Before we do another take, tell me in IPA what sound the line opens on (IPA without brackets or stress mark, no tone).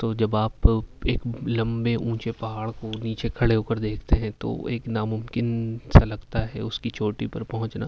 t̪